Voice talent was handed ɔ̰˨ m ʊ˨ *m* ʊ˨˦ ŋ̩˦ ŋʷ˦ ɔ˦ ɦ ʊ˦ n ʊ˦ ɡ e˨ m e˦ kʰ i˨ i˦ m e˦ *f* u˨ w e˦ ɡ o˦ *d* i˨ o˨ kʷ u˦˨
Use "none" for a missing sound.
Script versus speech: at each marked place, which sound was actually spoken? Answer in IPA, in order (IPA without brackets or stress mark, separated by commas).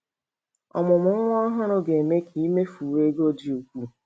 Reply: m, f, d